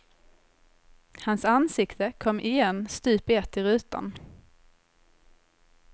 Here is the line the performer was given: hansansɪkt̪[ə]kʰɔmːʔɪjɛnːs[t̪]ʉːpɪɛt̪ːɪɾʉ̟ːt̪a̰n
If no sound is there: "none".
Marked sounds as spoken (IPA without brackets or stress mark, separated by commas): ə, t̪